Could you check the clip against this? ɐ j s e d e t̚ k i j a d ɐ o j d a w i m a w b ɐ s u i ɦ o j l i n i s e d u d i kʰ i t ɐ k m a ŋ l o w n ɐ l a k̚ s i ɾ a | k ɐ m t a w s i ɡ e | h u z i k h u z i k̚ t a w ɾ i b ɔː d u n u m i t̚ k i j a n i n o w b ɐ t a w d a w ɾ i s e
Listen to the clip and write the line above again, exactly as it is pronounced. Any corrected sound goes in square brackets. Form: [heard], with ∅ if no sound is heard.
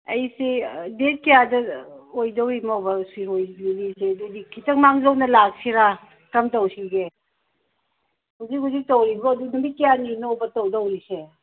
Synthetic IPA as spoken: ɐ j s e d e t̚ k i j a d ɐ o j d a w i m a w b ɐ s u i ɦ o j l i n i s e d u d i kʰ i t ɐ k m a ŋ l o w n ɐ l a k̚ s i ɾ a | k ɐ m t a w s i ɡ e | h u z i k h u z i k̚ t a w ɾ i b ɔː d u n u m i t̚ k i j a n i n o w b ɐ t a w d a w ɾ i s e